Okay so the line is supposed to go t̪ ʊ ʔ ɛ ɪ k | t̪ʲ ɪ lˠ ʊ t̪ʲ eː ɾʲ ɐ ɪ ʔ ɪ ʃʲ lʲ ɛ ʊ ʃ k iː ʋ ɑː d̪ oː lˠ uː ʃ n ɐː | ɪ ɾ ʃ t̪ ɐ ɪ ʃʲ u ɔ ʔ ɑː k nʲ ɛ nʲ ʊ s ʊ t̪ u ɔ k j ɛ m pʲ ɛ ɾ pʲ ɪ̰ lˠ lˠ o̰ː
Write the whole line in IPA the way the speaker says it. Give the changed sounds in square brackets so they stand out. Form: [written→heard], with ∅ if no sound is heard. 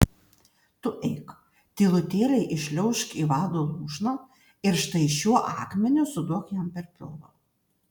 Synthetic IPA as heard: t̪ ʊ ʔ ɛ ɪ k | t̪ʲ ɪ lˠ ʊ t̪ʲ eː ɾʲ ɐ ɪ ʔ ɪ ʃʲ lʲ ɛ ʊ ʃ k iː ʋ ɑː d̪ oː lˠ uː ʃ n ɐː | ɪ ɾ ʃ t̪ ɐ ɪ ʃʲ u ɔ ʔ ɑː k [nʲ→mʲ] ɛ nʲ ʊ s ʊ [t̪→d̪] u ɔ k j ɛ m pʲ ɛ ɾ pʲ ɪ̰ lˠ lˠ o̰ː